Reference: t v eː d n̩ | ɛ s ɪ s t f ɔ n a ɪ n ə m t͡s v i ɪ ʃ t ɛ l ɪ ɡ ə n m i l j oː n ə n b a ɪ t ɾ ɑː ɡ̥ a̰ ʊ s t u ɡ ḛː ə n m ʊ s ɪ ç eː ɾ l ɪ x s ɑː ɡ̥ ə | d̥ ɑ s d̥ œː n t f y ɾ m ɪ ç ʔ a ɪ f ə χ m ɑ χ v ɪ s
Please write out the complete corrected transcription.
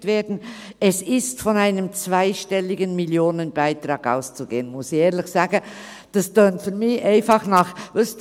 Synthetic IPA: t v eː d n̩ | ɛ s ɪ s t f ɔ n a ɪ n ə m t͡s v a ɪ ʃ t ɛ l ɪ ɡ ə n m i l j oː n ə n b a ɪ t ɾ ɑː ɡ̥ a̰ ʊ s t͡s u ɡ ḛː ə n m ʊ s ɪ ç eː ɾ l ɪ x s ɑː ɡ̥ ə | d̥ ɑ s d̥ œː n t f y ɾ m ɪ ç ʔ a ɪ f ɑ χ n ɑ χ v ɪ s